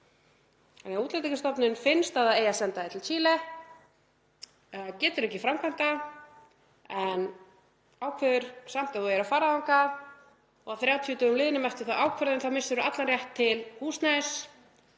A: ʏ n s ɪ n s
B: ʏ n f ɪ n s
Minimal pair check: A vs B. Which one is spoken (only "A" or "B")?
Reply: B